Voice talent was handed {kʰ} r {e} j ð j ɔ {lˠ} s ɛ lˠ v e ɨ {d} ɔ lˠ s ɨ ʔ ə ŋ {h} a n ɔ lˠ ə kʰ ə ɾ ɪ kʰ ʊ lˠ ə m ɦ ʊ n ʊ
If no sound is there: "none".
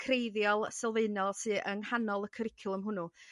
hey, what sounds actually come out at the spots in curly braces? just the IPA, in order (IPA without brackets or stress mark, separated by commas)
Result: kʰ, e, lˠ, n, h